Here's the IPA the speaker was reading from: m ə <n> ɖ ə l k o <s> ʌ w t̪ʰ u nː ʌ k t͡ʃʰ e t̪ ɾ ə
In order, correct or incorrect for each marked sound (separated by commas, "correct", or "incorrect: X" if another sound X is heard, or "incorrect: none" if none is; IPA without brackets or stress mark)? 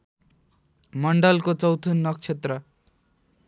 incorrect: ɳ, incorrect: t͡s